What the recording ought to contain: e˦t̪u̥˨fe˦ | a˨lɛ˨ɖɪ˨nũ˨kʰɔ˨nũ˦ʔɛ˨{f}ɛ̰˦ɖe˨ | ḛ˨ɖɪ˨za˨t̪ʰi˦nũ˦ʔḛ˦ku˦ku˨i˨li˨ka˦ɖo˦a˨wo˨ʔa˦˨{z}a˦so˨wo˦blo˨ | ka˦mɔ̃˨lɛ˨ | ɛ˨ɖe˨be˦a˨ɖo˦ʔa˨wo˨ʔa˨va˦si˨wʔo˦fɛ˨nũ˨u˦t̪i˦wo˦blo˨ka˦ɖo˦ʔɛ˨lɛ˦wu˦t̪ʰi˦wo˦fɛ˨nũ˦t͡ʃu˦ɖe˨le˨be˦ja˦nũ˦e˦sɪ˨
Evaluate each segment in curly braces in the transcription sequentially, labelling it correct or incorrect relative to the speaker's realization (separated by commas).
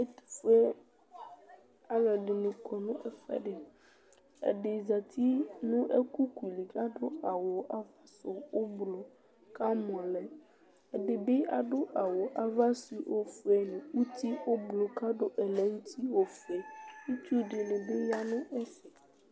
correct, incorrect